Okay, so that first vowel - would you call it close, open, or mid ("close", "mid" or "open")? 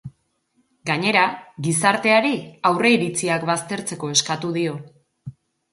open